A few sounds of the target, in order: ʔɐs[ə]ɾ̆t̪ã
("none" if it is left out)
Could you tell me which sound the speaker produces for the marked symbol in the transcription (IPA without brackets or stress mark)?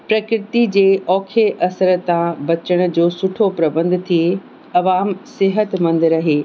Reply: ə